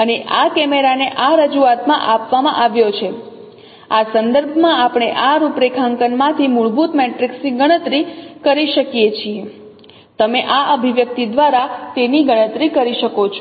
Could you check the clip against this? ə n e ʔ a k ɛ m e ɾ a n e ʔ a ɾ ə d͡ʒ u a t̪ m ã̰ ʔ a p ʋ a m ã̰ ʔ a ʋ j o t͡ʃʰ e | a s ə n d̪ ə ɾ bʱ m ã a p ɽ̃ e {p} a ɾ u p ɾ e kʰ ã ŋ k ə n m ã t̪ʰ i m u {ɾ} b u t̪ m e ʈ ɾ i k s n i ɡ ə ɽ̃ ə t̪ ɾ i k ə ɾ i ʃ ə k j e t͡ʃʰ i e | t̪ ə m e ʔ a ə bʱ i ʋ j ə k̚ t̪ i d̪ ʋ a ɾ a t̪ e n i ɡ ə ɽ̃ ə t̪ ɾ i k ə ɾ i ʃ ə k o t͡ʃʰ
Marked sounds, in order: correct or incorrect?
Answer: incorrect, incorrect

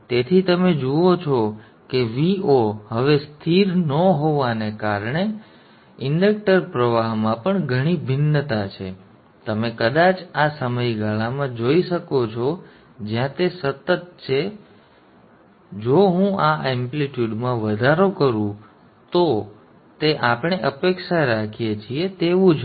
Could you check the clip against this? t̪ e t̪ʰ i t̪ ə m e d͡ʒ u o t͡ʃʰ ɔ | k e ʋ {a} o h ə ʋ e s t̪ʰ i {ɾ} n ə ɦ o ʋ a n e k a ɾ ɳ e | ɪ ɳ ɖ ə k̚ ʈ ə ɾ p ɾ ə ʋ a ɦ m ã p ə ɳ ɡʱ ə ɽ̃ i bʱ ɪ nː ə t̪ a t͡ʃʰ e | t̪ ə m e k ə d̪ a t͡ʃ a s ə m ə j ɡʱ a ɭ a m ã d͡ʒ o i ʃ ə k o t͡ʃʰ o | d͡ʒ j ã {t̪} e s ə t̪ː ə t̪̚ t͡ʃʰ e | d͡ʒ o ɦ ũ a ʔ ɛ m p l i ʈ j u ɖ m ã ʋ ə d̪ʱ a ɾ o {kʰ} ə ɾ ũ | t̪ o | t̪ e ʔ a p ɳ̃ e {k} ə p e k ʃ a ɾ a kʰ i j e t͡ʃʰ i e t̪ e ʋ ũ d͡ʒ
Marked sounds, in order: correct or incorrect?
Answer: incorrect, correct, correct, incorrect, incorrect

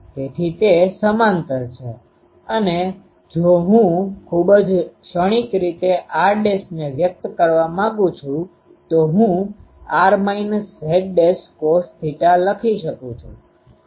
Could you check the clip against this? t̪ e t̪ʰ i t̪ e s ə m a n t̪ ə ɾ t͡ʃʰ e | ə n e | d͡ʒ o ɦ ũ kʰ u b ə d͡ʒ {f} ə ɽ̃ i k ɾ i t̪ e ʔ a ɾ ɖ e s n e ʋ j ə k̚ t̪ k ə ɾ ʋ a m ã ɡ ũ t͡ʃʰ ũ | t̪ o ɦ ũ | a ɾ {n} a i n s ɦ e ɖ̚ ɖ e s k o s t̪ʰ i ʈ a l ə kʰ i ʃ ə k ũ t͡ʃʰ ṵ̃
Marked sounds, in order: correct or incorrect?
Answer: incorrect, incorrect

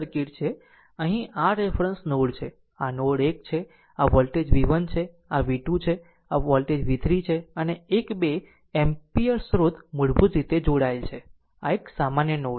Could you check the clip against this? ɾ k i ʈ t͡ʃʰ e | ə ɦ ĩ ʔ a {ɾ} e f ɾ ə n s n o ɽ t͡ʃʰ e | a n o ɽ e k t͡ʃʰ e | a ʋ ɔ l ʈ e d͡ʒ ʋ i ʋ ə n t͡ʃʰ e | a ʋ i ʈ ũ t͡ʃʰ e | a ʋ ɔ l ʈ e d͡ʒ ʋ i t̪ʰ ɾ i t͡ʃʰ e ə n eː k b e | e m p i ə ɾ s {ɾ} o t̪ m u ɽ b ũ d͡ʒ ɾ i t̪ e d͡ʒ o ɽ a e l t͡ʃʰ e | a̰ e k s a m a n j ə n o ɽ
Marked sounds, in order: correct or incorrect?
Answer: correct, correct

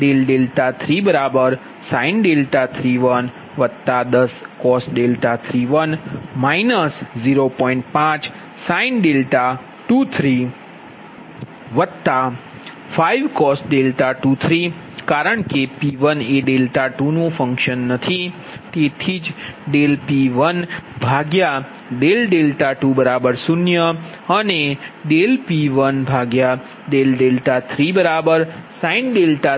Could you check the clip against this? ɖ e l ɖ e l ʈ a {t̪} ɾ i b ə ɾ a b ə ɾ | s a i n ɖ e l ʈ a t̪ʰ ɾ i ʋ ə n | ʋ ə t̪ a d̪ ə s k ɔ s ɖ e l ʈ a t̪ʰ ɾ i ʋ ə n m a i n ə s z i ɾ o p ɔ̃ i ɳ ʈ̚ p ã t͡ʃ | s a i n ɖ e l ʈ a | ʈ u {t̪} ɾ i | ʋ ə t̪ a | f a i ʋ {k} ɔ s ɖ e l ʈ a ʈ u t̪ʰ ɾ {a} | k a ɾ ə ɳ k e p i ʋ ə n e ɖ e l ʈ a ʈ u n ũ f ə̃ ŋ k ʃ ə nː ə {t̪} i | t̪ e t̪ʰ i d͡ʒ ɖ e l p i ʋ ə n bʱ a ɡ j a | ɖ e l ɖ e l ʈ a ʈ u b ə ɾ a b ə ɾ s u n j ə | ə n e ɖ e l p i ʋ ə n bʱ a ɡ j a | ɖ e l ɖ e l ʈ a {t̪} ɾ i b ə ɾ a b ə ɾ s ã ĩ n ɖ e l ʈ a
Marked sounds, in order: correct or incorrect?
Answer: incorrect, incorrect, correct, incorrect, incorrect, incorrect

